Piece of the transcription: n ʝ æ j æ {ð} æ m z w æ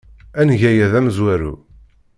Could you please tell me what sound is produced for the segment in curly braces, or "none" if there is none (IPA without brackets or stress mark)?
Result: ð